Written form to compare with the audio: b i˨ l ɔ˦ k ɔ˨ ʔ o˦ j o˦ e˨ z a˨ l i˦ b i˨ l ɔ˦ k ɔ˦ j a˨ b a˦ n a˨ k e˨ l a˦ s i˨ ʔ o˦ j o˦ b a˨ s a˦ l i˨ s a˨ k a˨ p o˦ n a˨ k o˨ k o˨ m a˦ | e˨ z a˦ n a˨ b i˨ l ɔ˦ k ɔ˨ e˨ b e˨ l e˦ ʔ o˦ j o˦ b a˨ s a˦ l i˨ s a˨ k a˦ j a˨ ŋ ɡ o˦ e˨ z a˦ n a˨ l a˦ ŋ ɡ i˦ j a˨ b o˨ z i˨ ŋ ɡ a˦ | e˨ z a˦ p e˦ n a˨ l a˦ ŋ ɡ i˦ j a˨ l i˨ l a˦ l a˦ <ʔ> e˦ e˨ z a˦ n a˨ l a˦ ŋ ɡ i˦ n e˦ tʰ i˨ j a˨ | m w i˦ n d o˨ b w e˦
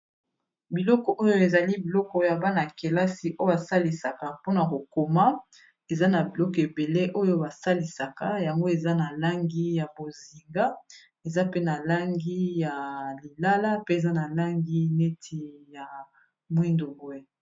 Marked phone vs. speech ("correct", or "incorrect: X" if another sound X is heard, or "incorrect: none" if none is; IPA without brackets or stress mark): incorrect: p